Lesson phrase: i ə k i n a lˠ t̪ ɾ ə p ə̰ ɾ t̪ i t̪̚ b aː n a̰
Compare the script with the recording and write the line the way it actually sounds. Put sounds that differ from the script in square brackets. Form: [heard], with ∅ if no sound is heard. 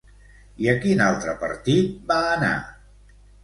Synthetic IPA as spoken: i ə k i n a lˠ t̪ ɾ ə p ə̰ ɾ t̪ i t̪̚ b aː n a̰